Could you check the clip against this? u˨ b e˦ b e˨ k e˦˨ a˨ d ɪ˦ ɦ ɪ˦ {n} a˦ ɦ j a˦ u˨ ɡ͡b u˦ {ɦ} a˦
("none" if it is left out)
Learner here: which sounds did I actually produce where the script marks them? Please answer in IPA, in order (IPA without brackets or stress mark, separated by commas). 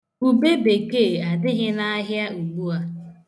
n, none